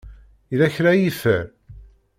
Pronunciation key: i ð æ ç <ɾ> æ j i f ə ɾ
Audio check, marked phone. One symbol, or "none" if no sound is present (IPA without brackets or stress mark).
ɾ